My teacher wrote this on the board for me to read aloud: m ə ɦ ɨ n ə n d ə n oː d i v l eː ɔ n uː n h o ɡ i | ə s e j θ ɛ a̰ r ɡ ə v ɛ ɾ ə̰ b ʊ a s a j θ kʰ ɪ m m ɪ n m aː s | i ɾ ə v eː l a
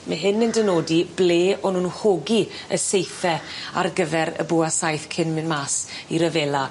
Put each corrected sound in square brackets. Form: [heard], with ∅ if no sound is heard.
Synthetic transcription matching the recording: m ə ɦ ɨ n ə n d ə n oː d i [b] l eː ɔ n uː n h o ɡ i | ə s e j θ ɛ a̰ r ɡ ə v ɛ ɾ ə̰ b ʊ a s a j θ kʰ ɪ [n] m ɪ n m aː s | i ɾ ə v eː l a